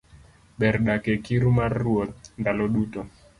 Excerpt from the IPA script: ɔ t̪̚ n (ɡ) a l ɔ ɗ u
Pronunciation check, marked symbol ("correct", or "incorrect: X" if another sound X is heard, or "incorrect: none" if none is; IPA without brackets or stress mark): incorrect: d